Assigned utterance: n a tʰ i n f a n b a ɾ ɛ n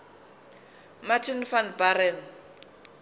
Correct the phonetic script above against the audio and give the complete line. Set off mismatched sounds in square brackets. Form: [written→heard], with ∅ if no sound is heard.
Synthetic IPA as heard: [n→m] a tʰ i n f a n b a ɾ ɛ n